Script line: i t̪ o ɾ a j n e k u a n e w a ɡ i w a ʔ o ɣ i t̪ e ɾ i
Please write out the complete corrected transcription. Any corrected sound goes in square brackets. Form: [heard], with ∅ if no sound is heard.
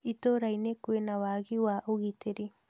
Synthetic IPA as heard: i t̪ o ɾ a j n e k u [e] n [a] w a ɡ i w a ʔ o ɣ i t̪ e ɾ i